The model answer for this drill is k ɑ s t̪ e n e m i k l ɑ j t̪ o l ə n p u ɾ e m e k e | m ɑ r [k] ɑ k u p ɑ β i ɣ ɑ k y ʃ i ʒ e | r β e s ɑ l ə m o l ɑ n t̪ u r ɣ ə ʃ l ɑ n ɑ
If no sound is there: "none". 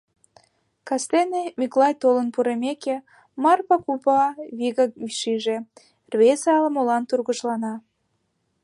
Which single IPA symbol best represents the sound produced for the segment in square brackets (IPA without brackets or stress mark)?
p